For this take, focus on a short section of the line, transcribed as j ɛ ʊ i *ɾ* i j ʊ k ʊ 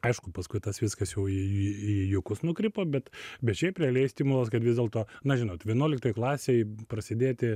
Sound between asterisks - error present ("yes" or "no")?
yes